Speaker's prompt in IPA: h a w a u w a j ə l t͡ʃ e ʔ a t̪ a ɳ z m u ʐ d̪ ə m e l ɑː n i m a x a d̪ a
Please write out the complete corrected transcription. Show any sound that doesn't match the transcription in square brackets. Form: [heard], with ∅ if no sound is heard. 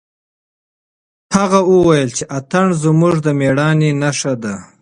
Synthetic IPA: h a [ɣ] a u w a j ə l t͡ʃ e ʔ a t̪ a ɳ z m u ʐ d̪ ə m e [ɽ] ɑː n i [n] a [ʂ] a d̪ a